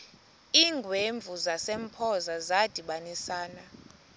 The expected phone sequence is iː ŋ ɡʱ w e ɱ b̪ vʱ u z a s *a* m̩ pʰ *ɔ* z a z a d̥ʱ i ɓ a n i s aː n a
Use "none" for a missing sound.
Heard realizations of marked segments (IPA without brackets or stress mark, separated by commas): e, ɔ